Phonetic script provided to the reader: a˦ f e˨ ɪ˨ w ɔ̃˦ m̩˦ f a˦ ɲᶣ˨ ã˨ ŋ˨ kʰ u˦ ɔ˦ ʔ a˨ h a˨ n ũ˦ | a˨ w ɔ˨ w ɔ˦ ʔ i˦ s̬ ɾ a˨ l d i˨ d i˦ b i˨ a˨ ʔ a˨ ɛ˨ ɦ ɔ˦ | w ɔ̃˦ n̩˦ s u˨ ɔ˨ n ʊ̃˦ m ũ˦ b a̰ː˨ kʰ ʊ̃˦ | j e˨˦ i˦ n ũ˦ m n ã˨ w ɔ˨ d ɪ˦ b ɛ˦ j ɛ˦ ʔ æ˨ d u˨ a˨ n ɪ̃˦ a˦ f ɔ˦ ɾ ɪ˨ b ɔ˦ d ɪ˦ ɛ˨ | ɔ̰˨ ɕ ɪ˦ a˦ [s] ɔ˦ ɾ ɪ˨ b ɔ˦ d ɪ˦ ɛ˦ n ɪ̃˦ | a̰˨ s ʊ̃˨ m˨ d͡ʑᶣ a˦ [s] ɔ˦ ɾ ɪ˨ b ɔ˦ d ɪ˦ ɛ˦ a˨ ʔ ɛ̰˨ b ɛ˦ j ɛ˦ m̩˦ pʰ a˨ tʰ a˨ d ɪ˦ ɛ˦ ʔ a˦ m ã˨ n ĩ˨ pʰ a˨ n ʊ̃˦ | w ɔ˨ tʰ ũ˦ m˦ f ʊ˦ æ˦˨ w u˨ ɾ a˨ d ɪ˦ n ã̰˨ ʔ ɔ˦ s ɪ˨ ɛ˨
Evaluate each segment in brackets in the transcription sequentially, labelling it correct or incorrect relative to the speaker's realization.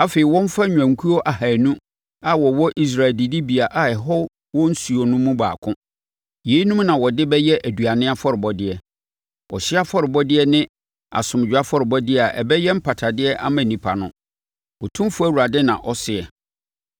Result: incorrect: f, incorrect: f

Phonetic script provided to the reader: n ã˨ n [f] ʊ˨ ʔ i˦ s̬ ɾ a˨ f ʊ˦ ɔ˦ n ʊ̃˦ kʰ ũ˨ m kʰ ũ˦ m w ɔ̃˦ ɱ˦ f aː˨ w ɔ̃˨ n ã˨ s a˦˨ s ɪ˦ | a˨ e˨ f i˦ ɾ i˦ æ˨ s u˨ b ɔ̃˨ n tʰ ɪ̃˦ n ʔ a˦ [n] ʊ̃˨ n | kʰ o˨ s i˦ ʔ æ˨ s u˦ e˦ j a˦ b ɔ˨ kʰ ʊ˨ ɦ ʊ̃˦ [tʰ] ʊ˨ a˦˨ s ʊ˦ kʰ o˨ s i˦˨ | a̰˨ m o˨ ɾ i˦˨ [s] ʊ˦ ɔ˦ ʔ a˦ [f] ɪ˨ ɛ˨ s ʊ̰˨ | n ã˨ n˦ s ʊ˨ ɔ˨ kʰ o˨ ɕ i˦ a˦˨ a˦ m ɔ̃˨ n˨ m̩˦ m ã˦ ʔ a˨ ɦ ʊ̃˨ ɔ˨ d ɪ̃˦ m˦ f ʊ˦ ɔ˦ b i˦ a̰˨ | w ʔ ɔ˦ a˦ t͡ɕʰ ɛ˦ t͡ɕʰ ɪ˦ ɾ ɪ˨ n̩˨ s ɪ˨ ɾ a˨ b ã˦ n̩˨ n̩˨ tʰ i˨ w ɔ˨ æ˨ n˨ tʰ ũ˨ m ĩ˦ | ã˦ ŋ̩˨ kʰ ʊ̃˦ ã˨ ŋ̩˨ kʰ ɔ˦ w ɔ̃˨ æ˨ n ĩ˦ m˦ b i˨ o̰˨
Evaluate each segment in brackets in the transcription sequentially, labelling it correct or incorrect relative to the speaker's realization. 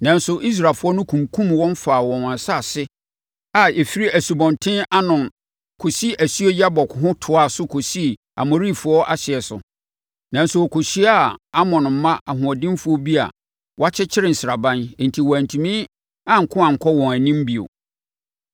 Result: incorrect: s, correct, correct, incorrect: f, incorrect: ɕ

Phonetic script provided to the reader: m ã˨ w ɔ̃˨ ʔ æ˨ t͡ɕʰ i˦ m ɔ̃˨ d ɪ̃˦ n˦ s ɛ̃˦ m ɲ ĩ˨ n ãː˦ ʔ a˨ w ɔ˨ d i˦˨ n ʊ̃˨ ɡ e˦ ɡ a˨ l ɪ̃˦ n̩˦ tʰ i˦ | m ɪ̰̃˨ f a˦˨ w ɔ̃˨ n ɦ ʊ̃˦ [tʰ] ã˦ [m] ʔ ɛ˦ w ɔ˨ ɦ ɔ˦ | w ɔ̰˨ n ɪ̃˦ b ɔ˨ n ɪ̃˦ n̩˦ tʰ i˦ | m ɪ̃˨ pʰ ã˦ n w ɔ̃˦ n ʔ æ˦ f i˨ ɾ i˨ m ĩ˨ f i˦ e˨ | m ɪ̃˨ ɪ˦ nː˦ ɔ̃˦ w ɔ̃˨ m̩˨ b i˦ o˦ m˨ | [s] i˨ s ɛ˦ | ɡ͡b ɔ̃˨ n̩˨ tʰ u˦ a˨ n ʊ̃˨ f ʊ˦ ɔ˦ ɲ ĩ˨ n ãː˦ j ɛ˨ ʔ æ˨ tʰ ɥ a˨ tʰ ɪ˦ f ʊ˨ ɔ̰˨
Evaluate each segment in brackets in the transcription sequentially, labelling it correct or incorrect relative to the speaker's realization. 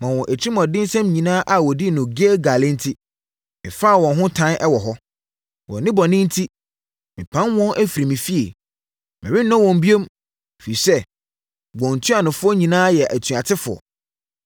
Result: correct, incorrect: n, incorrect: f

